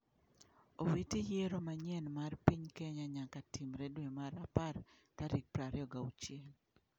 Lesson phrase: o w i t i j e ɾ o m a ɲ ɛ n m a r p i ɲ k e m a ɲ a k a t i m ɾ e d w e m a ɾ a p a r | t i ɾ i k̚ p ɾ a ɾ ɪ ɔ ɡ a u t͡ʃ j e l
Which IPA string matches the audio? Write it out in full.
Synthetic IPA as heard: o w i t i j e ɾ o m a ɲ ɛ n m a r p i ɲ k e ɲ a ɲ a k a t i m ɾ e d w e m a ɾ a p a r | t a ɾ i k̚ p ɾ a ɾ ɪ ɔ ɡ a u t͡ʃ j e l